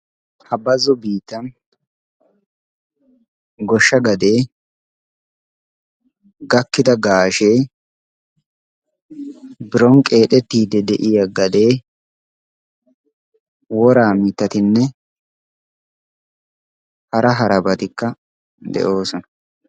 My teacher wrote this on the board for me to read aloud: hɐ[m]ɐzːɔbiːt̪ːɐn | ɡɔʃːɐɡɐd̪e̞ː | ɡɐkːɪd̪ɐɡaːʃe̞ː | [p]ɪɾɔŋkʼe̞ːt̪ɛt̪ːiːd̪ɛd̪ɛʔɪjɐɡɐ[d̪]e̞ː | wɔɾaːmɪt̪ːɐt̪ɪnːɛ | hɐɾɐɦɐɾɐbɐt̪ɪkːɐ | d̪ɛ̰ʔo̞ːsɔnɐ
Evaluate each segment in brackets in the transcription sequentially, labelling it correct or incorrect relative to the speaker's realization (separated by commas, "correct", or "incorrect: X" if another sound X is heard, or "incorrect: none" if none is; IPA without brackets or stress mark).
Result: incorrect: b, incorrect: b, correct